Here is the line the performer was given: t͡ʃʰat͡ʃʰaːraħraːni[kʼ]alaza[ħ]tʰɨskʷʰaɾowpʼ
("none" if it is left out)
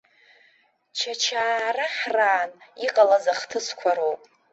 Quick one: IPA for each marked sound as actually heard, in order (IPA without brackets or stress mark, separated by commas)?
qʼ, χ